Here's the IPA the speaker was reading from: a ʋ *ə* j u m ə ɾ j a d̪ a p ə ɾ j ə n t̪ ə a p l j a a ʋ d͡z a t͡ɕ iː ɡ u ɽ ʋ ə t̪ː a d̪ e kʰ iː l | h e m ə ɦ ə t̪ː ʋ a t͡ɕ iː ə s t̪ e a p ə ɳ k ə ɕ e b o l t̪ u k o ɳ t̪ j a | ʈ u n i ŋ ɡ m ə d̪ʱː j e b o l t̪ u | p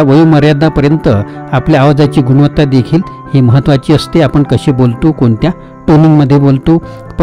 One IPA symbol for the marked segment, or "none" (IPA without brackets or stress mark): ə